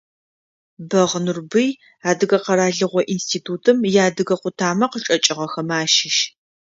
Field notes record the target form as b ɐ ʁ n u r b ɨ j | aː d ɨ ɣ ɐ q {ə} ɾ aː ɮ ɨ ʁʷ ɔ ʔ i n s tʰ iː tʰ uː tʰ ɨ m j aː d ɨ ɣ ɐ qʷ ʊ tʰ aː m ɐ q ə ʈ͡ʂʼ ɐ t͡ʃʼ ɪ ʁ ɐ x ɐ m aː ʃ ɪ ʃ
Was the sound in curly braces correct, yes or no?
no